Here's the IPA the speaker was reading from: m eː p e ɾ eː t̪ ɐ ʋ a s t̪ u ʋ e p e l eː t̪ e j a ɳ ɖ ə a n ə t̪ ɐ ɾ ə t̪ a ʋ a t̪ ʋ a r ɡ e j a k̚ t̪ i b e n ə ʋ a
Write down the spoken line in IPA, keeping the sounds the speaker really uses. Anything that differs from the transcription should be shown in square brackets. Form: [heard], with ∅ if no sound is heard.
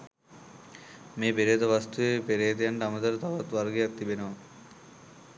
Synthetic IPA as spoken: m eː p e ɾ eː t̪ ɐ ʋ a s t̪ u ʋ e p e [ɾ] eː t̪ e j a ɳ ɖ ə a [m] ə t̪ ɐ ɾ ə t̪ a ʋ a t̪ ʋ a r ɡ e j a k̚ t̪ i b e n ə ʋ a